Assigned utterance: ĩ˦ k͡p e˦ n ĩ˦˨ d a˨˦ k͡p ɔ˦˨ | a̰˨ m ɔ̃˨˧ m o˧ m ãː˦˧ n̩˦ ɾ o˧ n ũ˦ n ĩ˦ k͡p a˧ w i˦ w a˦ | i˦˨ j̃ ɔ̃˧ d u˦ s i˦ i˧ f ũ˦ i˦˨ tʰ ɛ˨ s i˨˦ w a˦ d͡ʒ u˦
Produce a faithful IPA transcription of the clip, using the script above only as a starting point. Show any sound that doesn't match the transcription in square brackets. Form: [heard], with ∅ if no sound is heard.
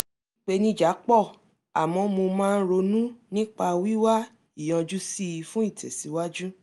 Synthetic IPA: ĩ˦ k͡p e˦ n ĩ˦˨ [d͡ʒ] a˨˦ k͡p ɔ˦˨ | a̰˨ m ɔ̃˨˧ m o˧ m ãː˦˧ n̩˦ ɾ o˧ n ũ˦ n ĩ˦ k͡p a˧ w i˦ w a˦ | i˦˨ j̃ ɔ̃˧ [d͡ʒ] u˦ s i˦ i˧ f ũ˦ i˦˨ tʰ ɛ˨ s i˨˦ w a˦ d͡ʒ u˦